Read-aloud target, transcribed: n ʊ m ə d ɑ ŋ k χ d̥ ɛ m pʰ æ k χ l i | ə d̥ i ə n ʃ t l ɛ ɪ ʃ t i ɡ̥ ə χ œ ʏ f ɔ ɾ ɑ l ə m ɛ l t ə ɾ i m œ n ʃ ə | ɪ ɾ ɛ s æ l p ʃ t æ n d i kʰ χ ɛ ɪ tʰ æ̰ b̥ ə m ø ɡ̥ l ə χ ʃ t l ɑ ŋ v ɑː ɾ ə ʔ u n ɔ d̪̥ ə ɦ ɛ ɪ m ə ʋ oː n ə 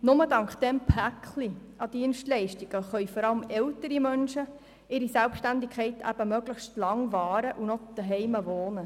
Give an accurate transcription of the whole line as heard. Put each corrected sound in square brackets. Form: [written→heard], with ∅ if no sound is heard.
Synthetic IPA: n ʊ m ə d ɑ ŋ k χ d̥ ɛ m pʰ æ k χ l i | [ə→ɑ] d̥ i ə n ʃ t l ɛ ɪ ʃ t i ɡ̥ ə χ œ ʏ f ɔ ɾ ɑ l ə m ɛ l t ə ɾ i m œ n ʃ ə | ɪ ɾ [ɛ→i] s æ l p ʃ t æ n d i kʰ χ ɛ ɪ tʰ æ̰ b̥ ə m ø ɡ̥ l ə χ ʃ t l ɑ ŋ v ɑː ɾ ə ʔ u n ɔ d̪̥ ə ɦ ɛ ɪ m ə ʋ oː n ə